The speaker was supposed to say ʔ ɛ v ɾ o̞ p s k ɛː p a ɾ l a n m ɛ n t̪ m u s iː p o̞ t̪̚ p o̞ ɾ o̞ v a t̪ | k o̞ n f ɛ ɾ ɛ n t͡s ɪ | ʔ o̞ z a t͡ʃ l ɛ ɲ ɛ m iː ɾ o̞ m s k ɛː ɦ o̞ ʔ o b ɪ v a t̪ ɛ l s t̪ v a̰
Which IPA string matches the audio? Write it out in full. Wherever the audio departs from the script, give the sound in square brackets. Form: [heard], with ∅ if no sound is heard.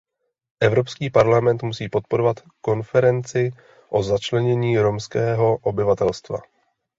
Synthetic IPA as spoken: ʔ ɛ v ɾ o̞ p s k [iː] p a ɾ l a [∅] m ɛ n t̪ m u s iː p o̞ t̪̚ p o̞ ɾ o̞ v a t̪ | k o̞ n f ɛ ɾ ɛ n t͡s ɪ | ʔ o̞ z a t͡ʃ l ɛ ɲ ɛ [ɲ] iː ɾ o̞ m s k ɛː ɦ o̞ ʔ o b ɪ v a t̪ ɛ l s t̪ v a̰